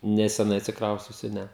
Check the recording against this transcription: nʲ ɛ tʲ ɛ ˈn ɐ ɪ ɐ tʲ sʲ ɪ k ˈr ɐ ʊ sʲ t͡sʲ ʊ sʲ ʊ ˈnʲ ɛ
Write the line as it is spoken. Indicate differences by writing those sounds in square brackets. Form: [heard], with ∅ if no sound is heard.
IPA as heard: nʲ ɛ [sʲ] ɛ ˈn ɐ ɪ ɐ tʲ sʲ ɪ k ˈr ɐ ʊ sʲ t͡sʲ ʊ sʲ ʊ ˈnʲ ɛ